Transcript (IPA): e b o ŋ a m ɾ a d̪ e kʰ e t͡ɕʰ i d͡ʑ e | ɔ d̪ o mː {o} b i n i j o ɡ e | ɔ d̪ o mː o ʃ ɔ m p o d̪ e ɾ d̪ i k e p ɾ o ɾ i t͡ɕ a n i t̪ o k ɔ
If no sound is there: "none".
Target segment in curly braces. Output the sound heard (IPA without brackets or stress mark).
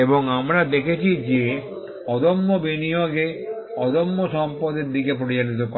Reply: o